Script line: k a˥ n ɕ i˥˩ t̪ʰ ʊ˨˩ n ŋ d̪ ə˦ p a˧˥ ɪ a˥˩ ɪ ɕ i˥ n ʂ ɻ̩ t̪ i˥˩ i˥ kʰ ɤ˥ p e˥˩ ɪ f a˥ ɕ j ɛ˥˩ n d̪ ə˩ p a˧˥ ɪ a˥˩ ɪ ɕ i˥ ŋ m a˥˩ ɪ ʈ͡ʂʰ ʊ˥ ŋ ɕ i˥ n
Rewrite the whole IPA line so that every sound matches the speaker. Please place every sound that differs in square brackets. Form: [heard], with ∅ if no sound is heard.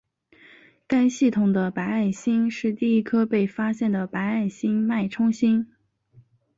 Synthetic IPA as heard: k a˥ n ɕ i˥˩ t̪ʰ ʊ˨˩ [∅] ŋ d̪ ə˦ p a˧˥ ɪ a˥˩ ɪ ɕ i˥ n ʂ ɻ̩ t̪ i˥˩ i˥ kʰ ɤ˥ p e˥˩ ɪ f a˥ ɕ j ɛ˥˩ n d̪ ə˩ p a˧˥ ɪ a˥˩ ɪ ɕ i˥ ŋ m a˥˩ ɪ ʈ͡ʂʰ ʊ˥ ŋ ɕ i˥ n